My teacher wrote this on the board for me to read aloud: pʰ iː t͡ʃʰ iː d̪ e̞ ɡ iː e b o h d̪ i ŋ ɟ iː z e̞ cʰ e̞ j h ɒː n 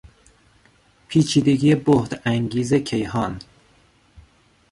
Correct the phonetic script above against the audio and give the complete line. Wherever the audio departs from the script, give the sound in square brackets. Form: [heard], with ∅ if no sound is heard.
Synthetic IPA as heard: pʰ iː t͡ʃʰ iː d̪ e̞ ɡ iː e b o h d̪ [æ] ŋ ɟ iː z e̞ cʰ e̞ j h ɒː n